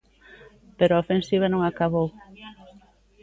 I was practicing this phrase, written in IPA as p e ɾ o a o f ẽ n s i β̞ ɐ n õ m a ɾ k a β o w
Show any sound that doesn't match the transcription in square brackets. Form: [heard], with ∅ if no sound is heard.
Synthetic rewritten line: p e ɾ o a o f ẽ n s i β̞ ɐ n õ [ŋ] a [∅] k a β o w